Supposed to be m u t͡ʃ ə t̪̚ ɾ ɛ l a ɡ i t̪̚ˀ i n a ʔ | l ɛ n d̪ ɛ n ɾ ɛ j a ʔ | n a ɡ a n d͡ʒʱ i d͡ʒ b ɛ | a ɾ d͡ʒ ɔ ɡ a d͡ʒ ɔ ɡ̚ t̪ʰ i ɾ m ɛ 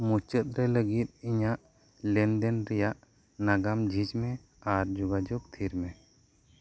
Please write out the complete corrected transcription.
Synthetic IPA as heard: m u t͡ʃ ə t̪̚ ɾ ɛ l ə ɡ i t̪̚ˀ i ɲ a ʔ | l ɛ n d̪ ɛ n ɾ ɛ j a ʔ | n a ɡ a m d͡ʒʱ i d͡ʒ m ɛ | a ɾ d͡ʒ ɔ ɡ a d͡ʒ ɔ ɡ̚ t̪ʰ i ɾ m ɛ